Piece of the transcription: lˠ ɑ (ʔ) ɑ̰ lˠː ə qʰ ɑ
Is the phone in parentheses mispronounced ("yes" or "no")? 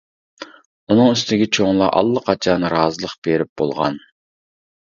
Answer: no